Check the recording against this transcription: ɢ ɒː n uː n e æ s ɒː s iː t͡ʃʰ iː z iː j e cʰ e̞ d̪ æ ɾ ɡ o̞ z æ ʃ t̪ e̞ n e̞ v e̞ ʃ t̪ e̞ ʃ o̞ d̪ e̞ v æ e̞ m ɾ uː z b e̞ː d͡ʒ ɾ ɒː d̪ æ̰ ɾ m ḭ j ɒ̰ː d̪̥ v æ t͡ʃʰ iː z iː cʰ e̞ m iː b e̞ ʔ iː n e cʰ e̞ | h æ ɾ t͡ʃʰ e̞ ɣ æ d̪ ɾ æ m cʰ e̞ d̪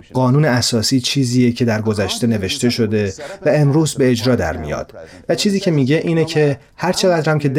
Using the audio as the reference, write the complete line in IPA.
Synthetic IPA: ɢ ɒː n uː n e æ s ɒː s iː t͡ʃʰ iː z iː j e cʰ e̞ d̪ æ ɾ ɡ o̞ z æ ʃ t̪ e̞ n e̞ v e̞ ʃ t̪ e̞ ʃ o̞ d̪ e̞ v æ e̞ m ɾ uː z b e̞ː d͡ʒ ɾ ɒː d̪ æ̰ ɾ m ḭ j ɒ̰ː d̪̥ v æ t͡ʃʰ iː z iː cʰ e̞ m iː ɟ e̞ ʔ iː n e cʰ e̞ | h æ ɾ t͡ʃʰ e̞ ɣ æ d̪ ɾ æ m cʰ e̞ d̪